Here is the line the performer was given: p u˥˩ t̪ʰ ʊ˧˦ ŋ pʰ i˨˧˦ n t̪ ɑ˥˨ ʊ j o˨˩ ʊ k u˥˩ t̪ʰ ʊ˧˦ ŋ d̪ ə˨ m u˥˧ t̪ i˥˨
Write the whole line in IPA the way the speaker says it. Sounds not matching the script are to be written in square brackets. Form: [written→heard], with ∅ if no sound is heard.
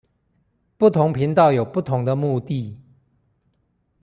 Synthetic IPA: p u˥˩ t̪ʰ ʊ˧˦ ŋ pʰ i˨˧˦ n t̪ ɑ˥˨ ʊ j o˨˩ ʊ [k→p] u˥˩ t̪ʰ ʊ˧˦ ŋ d̪ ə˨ m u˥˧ t̪ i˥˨